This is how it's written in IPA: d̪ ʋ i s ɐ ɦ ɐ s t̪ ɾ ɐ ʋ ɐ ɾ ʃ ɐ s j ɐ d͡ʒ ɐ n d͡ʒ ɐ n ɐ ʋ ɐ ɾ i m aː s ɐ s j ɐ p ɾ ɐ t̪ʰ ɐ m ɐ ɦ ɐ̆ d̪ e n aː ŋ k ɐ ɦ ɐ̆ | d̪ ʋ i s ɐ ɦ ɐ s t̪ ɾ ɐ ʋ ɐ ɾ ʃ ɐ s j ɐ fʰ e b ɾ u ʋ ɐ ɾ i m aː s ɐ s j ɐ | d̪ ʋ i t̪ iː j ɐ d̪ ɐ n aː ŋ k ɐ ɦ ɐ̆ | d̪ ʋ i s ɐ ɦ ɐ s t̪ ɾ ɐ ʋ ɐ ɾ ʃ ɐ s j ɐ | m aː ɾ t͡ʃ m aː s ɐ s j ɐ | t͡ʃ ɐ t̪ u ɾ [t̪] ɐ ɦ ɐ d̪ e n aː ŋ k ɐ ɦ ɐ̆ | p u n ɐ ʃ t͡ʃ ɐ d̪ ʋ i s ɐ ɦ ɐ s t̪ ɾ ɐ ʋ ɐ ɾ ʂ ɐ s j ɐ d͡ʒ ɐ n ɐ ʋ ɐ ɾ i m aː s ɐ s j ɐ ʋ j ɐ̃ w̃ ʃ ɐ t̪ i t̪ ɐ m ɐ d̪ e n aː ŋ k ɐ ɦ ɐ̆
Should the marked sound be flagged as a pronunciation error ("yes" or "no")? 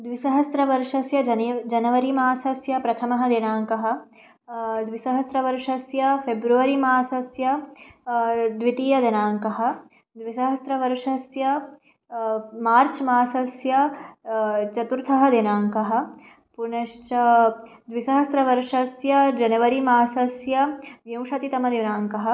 yes